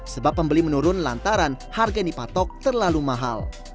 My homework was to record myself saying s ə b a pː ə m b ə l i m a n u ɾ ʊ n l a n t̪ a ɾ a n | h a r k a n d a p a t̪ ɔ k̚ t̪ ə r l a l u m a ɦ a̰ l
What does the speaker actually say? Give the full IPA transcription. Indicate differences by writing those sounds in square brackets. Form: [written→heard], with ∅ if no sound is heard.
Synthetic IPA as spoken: s ə b a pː ə m b ə l i m [a→ə] n u ɾ ʊ n l a n t̪ a ɾ a n | h a r [k→ɡ] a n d [a→i] p a t̪ ɔ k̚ t̪ ə r l a l u m a ɦ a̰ l